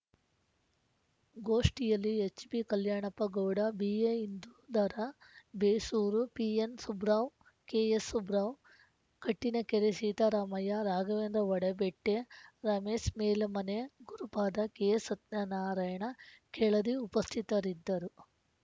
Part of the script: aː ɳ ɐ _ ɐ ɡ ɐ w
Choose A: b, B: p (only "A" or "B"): B